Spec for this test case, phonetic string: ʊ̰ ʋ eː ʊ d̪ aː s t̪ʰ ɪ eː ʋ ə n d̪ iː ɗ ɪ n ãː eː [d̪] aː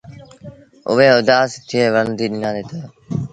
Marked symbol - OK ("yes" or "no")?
no